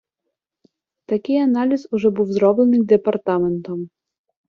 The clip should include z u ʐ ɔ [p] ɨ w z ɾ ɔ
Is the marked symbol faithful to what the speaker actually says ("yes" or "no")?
no